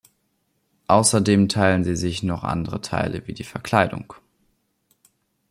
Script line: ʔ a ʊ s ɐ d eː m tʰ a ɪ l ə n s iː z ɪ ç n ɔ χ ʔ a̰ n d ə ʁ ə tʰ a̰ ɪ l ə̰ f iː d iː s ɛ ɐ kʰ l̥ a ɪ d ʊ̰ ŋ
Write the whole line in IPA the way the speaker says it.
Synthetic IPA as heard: ʔ a ʊ s ɐ d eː m tʰ a ɪ l ə n z iː z ɪ ç n ɔ χ ʔ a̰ n d ə ʁ ə tʰ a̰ ɪ l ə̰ v iː d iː f ɛ ɐ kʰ l̥ a ɪ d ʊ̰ ŋ